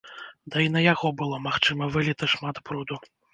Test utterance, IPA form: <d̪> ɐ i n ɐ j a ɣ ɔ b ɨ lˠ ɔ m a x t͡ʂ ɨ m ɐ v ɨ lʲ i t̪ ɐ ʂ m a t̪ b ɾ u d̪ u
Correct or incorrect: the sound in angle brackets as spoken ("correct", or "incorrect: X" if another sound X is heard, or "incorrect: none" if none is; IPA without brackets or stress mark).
correct